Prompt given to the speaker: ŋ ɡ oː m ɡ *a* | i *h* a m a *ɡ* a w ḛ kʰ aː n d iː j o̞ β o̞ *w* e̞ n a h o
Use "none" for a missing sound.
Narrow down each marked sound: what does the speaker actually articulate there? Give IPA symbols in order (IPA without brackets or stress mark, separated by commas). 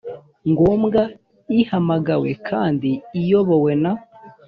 a, h, ɡ, w